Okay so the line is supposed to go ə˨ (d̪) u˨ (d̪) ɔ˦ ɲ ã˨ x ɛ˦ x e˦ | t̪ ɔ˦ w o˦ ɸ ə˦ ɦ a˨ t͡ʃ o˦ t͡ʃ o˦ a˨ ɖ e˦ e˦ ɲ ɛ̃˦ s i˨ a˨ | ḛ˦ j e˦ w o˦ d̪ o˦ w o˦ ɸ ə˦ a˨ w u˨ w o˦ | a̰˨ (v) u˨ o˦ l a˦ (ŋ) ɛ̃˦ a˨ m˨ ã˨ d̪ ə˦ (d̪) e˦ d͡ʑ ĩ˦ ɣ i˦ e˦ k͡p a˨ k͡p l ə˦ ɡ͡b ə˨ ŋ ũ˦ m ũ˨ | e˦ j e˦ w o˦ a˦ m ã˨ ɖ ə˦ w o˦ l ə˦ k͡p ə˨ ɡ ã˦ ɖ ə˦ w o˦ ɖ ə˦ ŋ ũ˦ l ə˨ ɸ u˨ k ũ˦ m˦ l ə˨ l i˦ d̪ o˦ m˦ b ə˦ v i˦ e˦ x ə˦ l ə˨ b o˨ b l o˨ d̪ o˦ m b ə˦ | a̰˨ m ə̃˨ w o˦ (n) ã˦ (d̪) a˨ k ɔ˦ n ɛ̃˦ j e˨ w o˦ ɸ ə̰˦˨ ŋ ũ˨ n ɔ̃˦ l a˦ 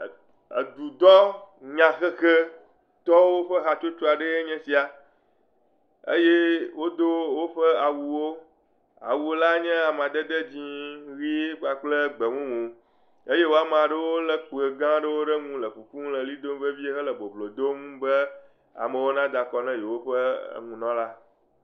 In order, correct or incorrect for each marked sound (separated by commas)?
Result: correct, correct, incorrect, incorrect, correct, correct, correct